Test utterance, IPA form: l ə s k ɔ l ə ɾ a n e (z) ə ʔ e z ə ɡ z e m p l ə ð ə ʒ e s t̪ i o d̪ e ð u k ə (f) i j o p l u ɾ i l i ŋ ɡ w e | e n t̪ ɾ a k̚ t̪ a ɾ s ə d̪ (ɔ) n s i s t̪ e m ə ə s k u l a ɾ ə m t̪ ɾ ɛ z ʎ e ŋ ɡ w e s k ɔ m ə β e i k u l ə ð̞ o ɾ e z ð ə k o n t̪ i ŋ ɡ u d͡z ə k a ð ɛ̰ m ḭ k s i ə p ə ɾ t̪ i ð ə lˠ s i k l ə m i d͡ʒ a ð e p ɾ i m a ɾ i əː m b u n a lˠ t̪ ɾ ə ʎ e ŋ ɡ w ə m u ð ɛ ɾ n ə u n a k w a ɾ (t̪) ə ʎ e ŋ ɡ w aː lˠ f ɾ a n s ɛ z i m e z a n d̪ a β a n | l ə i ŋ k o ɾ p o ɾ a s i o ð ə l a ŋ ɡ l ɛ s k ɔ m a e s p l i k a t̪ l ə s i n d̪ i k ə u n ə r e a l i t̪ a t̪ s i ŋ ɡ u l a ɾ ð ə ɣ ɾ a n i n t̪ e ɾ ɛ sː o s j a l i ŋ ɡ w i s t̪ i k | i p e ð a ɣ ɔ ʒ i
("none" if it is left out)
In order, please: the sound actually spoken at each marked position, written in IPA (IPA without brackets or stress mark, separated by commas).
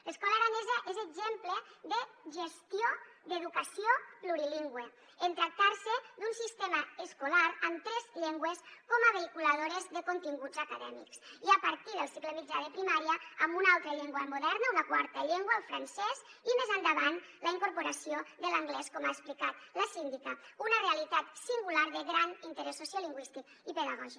z, s, u, t̪